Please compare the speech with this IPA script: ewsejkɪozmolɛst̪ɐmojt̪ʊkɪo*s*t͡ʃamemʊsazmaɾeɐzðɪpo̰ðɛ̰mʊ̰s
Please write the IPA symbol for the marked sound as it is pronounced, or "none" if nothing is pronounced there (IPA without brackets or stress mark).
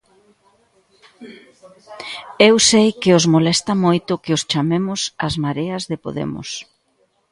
s